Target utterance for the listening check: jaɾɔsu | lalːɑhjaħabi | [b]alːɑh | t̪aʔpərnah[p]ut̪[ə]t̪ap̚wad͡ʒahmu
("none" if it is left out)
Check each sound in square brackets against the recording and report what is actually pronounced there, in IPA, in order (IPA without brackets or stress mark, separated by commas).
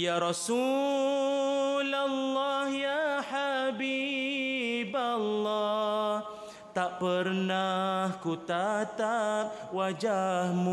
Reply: b, k, a